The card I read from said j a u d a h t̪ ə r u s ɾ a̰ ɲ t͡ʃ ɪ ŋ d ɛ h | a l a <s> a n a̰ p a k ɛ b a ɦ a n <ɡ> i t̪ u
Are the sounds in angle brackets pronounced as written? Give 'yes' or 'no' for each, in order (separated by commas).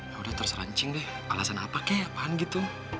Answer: yes, yes